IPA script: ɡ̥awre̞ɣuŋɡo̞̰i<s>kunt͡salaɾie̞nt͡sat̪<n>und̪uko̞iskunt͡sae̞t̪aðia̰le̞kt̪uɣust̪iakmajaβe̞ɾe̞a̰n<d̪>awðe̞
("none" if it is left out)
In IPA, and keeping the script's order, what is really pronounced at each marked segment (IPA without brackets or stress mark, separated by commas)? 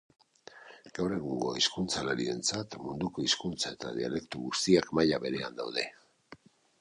s, m, d̪